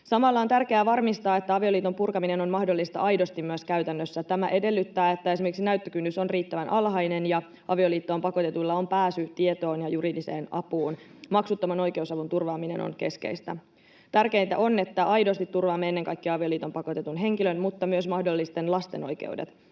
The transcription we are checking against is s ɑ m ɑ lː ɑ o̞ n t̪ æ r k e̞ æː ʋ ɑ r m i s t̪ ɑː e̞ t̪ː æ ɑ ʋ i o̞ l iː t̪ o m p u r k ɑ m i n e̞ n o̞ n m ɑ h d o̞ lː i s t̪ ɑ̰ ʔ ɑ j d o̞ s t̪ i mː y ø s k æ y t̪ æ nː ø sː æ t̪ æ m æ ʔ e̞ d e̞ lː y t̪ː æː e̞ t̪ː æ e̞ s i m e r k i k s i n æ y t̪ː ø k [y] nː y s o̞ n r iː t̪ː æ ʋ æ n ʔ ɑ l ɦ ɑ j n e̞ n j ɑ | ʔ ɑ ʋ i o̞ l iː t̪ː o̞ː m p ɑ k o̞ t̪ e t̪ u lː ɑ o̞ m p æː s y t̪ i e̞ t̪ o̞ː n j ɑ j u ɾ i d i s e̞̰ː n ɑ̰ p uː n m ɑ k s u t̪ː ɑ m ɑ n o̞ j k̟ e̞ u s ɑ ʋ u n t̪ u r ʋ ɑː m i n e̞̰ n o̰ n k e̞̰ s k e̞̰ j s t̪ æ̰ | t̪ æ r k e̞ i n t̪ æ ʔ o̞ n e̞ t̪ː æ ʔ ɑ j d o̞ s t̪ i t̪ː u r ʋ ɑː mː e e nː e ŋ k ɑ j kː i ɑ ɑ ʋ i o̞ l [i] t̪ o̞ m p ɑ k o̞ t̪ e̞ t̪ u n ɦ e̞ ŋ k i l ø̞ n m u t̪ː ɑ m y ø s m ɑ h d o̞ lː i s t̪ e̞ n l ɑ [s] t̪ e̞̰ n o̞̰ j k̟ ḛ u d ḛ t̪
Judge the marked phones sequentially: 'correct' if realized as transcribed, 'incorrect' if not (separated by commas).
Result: correct, incorrect, correct